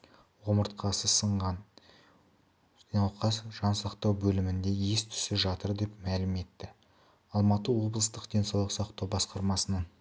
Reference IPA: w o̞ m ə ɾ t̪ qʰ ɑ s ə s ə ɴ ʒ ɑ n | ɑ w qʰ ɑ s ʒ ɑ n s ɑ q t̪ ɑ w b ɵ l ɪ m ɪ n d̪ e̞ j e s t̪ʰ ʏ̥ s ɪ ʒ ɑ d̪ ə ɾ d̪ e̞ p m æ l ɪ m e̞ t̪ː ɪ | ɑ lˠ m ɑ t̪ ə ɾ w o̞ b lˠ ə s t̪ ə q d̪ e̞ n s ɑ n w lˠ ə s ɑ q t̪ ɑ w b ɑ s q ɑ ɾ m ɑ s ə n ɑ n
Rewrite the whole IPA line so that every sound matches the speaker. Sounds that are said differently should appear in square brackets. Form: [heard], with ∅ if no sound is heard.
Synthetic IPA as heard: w o̞ m ə ɾ t̪ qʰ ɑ s ə s ə ɴ [ʁ] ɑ n | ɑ w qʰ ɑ s ʒ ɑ n s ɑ q t̪ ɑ w b ɵ l ɪ m ɪ n d̪ e̞ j e s t̪ʰ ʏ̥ s ɪ ʒ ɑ [t̪] ə ɾ d̪ e̞ p m æ l ɪ m e̞ t̪ː ɪ | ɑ lˠ m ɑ t̪ ə [∅] w o̞ b lˠ ə s t̪ ə q d̪ e̞ n s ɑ [∅] w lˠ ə s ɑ q t̪ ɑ w b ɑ s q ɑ ɾ m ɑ s ə n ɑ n

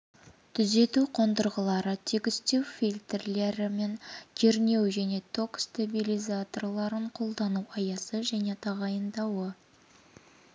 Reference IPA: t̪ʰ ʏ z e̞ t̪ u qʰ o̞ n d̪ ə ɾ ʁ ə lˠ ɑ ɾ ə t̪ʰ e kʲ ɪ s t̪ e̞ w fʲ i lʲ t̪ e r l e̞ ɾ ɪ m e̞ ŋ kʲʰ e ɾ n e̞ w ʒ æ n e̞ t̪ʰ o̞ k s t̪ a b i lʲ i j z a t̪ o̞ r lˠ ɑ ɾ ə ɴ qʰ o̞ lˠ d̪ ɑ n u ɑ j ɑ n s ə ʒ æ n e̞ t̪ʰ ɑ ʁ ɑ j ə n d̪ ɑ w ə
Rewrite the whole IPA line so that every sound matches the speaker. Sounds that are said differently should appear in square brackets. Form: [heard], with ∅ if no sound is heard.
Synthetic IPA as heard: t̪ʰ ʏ z e̞ t̪ u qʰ o̞ n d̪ ə ɾ ʁ ə lˠ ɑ ɾ ə t̪ʰ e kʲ ɪ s t̪ e̞ w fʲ i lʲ t̪ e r l e̞ ɾ ɪ m e̞ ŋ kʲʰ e ɾ n e̞ w ʒ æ n e̞ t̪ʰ o̞ k s t̪ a b i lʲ i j z a t̪ o̞ r lˠ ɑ ɾ ə ɴ qʰ o̞ lˠ d̪ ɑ n u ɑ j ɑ [∅] s ə ʒ æ n e̞ t̪ʰ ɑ ʁ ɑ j ə n d̪ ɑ w ə

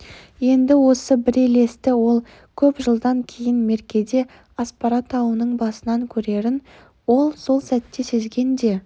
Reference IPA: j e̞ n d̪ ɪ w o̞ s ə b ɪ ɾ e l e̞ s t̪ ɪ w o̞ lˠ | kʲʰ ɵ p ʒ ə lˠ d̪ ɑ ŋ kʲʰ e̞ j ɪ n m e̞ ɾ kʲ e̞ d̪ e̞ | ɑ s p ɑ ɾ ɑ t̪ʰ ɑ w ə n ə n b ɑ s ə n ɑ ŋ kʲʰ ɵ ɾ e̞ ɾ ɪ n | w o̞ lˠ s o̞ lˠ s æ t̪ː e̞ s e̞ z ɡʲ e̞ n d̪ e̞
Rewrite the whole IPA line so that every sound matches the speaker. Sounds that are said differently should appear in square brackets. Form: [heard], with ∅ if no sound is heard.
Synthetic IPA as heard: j e̞ n d̪ ɪ w o̞ s ə b ɪ ɾ e l e̞ s t̪ ɪ w o̞ lˠ | kʲʰ ɵ p ʒ ə lˠ d̪ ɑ ŋ kʲʰ e̞ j ɪ n m e̞ ɾ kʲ e̞ d̪ e̞ | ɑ s p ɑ ɾ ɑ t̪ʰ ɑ w ə n ə [ɴ] b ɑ s ə n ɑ ŋ kʲʰ ɵ ɾ e̞ ɾ ɪ n | w o̞ lˠ s o̞ lˠ s æ t̪ː e̞ s e̞ z ɡʲ e̞ n d̪ e̞

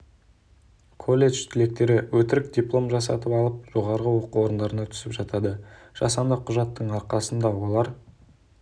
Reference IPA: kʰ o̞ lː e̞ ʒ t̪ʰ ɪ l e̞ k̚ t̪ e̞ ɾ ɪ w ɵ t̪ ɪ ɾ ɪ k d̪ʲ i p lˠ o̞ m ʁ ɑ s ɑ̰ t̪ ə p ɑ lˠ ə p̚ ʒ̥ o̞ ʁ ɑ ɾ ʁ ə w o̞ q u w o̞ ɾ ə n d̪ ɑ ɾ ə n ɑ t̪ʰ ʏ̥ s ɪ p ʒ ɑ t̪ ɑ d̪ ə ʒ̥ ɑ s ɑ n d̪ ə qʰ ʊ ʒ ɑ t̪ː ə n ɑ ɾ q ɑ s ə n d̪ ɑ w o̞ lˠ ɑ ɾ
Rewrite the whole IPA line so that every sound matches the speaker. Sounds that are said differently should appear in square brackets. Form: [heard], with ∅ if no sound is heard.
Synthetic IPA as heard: kʰ o̞ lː e̞ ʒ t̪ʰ ɪ l e̞ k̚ t̪ e̞ ɾ ɪ w ɵ t̪ ɪ ɾ ɪ k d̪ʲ i p lˠ o̞ m [ʒ] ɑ s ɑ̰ t̪ ə p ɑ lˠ ə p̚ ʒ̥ o̞ ʁ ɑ ɾ ʁ ə w o̞ q u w o̞ ɾ ə n d̪ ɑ ɾ ə n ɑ t̪ʰ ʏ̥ s ɪ p ʒ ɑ t̪ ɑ d̪ ə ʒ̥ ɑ s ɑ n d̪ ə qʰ ʊ ʒ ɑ t̪ː ə [ɴ] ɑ ɾ q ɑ s ə n d̪ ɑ w o̞ lˠ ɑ ɾ

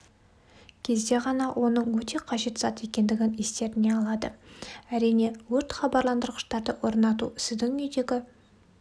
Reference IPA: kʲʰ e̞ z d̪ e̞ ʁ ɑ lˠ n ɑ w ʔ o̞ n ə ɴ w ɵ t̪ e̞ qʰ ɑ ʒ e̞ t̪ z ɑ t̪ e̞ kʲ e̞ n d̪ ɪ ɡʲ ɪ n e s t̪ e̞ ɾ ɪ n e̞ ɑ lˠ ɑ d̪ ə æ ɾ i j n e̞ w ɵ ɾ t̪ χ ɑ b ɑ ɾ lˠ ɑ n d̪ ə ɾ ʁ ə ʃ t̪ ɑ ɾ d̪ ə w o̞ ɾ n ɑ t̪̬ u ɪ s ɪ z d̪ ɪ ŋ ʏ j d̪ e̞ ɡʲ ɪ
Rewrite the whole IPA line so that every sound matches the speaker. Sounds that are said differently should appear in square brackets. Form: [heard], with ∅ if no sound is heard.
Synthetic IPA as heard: kʲʰ e̞ z d̪ e̞ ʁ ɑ [∅] n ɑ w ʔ o̞ n ə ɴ w ɵ t̪ e̞ qʰ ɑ ʒ e̞ t̪ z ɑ t̪ e̞ kʲ e̞ n d̪ ɪ ɡʲ ɪ n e s t̪ e̞ ɾ ɪ n e̞ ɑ lˠ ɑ d̪ ə æ ɾ i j n e̞ w ɵ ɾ t̪ χ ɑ b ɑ ɾ lˠ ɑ n d̪ ə ɾ ʁ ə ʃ t̪ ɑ ɾ d̪ ə w o̞ ɾ n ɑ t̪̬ u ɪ s ɪ z d̪ ɪ ŋ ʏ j d̪ e̞ ɡʲ ɪ

